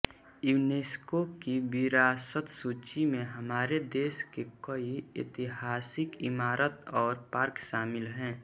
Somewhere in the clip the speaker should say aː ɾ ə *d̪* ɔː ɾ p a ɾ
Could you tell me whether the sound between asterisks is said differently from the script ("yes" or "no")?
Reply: yes